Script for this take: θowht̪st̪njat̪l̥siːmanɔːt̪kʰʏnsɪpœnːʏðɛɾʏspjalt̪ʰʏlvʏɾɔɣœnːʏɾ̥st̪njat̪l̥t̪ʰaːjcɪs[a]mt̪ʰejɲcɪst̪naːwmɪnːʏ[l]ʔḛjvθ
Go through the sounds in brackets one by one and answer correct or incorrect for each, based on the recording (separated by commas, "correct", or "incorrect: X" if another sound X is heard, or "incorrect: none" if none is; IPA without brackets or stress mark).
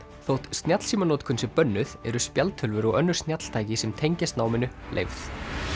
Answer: incorrect: ɛ, correct